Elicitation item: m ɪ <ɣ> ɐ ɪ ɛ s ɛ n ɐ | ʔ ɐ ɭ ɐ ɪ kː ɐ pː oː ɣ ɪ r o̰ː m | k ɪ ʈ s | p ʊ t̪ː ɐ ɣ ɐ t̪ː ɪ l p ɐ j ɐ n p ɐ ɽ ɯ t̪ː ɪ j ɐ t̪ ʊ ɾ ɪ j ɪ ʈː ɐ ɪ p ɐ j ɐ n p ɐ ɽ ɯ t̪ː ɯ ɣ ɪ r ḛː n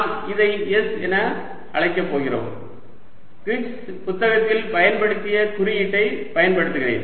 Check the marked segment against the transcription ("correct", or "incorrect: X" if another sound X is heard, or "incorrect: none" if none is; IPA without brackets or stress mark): incorrect: ð